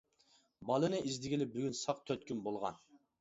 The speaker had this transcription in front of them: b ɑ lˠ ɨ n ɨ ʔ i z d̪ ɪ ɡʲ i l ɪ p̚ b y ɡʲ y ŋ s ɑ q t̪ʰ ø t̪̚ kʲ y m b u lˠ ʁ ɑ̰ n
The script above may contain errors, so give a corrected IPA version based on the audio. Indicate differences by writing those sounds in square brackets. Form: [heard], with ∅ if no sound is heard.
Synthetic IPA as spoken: b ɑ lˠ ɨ n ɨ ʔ i z d̪ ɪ ɡʲ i l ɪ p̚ b y ɡʲ y [n] s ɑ q t̪ʰ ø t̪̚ kʲ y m b [o] lˠ ʁ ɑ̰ n